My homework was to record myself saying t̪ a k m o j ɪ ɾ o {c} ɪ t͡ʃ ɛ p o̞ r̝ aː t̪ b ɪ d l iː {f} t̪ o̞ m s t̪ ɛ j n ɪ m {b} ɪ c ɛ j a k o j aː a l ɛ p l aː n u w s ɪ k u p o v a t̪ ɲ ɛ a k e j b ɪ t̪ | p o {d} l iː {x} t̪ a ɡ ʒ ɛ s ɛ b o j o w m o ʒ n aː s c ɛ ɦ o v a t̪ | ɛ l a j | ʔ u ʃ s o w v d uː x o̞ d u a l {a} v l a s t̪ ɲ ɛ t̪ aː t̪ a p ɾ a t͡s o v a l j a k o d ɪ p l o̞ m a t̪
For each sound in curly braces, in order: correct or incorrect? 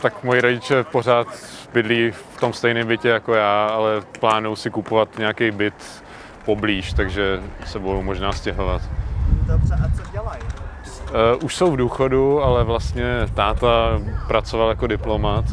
incorrect: ɟ, correct, correct, incorrect: b, incorrect: ʃ, incorrect: ɛ

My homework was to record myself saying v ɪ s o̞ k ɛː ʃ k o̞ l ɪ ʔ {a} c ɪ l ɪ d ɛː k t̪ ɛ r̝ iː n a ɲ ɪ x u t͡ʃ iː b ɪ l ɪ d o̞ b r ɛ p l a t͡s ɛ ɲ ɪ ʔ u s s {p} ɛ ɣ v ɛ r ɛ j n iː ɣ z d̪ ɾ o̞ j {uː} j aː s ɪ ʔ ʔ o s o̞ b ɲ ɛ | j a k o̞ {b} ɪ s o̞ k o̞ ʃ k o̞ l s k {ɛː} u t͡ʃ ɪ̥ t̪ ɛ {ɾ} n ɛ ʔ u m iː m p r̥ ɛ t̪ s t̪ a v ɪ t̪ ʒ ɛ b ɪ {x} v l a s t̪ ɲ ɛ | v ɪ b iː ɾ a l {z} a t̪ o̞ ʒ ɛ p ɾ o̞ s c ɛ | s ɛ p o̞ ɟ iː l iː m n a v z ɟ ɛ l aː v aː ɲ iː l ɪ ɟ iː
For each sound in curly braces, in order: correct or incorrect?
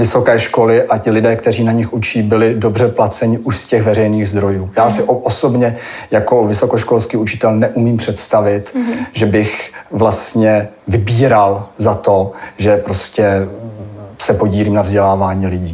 correct, incorrect: c, correct, incorrect: v, incorrect: iː, incorrect: l, correct, correct

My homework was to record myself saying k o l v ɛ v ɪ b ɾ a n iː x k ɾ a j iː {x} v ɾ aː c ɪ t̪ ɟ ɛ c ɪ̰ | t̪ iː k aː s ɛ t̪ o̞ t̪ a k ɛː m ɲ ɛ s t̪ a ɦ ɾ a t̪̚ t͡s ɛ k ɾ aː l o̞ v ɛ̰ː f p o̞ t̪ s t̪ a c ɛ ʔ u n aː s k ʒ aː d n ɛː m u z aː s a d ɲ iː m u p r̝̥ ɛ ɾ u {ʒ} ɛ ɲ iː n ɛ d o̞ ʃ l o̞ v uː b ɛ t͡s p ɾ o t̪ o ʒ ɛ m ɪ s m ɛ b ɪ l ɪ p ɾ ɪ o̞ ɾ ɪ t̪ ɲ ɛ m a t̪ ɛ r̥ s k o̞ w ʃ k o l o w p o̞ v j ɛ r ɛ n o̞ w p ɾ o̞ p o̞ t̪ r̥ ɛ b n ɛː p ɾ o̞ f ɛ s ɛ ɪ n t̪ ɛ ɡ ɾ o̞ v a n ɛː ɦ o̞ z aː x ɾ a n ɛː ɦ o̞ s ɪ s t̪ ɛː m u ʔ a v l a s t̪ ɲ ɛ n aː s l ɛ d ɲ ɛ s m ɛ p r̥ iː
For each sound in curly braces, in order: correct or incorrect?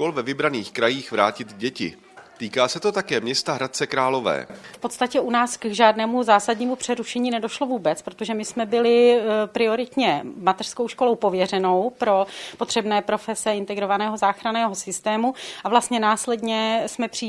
correct, incorrect: ʃ

